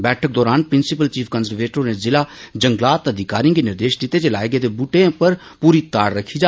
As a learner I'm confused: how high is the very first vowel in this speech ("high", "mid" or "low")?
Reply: mid